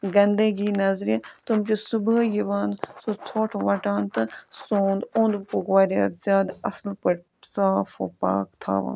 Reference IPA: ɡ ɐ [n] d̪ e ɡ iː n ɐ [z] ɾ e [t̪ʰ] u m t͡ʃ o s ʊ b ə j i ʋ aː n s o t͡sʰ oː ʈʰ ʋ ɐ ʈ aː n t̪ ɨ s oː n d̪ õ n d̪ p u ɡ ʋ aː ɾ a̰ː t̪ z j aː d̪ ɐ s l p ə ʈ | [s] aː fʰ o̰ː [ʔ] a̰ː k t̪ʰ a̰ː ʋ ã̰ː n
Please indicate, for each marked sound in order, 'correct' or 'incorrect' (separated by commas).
correct, correct, incorrect, correct, incorrect